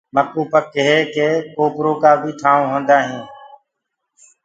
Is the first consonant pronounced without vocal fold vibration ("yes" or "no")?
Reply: no